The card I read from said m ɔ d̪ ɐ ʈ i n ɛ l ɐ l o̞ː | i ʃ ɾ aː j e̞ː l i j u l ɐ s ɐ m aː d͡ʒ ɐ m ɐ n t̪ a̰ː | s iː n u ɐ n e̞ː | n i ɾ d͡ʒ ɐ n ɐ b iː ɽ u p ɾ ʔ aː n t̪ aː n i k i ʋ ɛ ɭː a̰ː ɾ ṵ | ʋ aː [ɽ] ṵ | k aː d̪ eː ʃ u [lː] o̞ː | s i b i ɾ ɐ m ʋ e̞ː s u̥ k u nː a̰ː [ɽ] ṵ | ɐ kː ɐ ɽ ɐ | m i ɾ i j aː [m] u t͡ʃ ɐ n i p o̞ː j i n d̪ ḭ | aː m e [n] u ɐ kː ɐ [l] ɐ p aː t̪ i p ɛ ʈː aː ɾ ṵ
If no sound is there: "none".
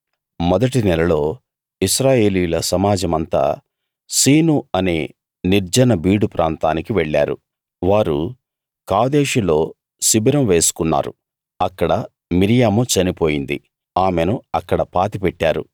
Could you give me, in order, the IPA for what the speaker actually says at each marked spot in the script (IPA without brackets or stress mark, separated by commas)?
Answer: ɾ, l, ɾ, m, n, ɽ